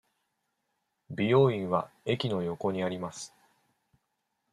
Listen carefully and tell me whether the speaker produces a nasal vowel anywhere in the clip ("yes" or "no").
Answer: yes